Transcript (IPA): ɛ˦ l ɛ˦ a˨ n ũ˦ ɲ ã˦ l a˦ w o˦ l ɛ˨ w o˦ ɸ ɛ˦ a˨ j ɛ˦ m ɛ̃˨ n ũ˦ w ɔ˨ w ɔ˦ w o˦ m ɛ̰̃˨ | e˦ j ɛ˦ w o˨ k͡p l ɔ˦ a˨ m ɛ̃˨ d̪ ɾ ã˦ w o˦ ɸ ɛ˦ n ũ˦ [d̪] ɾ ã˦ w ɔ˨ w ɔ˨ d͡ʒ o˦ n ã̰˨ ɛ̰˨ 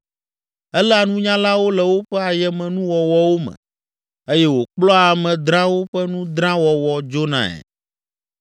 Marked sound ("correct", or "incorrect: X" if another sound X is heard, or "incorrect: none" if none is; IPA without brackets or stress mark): correct